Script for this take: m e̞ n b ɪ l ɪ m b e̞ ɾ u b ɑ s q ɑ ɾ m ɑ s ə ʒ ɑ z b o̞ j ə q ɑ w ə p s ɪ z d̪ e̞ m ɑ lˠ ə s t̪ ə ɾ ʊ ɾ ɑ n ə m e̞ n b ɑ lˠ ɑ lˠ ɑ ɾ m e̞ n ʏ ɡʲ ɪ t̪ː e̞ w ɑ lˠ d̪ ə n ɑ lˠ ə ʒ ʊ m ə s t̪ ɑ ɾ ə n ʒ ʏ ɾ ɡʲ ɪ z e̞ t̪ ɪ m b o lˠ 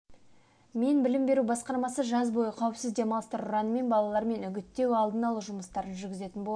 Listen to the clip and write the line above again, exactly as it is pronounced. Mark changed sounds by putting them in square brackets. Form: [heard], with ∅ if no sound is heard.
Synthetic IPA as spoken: m e̞ n b ɪ l ɪ m b e̞ ɾ u b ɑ s q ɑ ɾ m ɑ s ə ʒ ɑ z b o̞ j ə [qʰ] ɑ w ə p s ɪ z d̪ e̞ m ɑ lˠ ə s t̪ ə ɾ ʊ ɾ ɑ n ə m e̞ n b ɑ lˠ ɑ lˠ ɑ ɾ m e̞ n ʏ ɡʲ ɪ t̪ː e̞ w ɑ lˠ d̪ ə n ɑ lˠ ə ʒ ʊ m ə s t̪ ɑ ɾ ə n ʒ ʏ ɾ ɡʲ ɪ z e̞ t̪ ɪ [n] b o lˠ